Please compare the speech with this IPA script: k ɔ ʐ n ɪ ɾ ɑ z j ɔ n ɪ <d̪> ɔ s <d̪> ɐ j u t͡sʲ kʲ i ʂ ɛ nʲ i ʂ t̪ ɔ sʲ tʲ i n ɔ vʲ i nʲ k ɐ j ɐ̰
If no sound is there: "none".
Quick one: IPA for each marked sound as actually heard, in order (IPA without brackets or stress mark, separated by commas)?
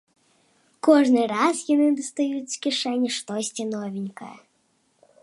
d̪, t̪